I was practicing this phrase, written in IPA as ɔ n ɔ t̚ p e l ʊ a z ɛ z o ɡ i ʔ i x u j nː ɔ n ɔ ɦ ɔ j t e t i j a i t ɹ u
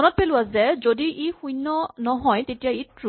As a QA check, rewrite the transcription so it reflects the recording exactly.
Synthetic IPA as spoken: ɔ n ɔ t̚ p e l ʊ a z ɛ z o d i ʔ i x u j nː ɔ n ɔ ɦ ɔ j t e t i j a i t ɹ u